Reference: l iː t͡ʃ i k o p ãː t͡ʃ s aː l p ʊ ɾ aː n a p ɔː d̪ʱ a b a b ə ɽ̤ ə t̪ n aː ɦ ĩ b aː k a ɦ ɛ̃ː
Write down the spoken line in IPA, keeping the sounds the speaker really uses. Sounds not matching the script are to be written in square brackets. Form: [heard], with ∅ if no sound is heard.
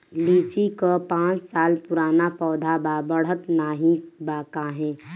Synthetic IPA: l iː t͡ʃ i k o p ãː t͡ʃ s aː l p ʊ ɾ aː n a p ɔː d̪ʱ a b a b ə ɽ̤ ə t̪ n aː ɦ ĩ b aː k a ɦ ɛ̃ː

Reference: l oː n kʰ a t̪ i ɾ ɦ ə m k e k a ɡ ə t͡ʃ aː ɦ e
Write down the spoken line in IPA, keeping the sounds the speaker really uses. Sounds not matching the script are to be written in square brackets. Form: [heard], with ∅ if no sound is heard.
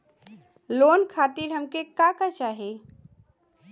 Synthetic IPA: l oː n kʰ a t̪ i ɾ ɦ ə m k e k a [k] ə t͡ʃ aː ɦ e

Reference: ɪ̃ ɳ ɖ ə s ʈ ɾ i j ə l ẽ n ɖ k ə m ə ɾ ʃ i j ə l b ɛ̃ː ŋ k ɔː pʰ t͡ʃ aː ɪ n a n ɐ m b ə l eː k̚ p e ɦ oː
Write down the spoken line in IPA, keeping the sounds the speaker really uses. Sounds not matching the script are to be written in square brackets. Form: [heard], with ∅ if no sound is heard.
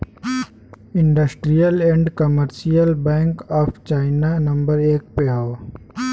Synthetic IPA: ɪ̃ ɳ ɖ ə s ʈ ɾ i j ə l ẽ [ɳ] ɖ k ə m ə ɾ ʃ i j ə l b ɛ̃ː ŋ k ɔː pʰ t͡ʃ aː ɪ n a n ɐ m b ə [ɾ] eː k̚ p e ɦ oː

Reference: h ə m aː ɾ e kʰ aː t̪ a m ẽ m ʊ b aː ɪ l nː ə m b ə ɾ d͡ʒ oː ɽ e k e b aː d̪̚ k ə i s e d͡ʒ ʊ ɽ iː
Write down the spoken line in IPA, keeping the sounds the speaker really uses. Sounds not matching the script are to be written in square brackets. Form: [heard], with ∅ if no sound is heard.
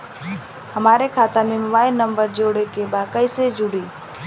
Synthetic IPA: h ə m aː ɾ e kʰ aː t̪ a m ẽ m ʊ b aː ɪ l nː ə m b ə ɾ d͡ʒ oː ɽ e k e b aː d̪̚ k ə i s e d͡ʒ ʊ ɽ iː

